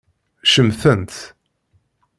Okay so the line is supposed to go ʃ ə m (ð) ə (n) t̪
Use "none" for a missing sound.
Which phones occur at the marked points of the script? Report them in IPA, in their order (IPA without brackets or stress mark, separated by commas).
θ, n